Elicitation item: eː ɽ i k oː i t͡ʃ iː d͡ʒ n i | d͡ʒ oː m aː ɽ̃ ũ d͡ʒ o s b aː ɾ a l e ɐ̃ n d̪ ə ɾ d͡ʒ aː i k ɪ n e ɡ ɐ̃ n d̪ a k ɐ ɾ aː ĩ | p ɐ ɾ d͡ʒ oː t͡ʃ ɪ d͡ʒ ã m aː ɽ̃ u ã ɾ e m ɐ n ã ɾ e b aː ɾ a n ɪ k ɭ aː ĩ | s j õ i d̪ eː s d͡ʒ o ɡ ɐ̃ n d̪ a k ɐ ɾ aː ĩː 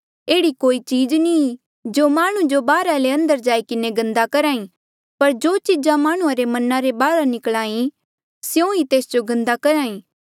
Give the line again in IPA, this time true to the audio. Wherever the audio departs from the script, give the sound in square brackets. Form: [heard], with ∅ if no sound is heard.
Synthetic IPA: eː ɽ i k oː i t͡ʃ iː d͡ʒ n i | d͡ʒ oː m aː ɽ̃ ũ d͡ʒ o [∅] b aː ɾ a l e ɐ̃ n d̪ ə ɾ d͡ʒ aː i k ɪ n e ɡ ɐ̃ n d̪ a k ɐ ɾ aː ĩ | p ɐ ɾ d͡ʒ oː t͡ʃ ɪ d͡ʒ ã m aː ɽ̃ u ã ɾ e m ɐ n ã ɾ e b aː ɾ a n ɪ k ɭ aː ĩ | s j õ i [t̪] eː s d͡ʒ o ɡ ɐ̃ n d̪ a k ɐ ɾ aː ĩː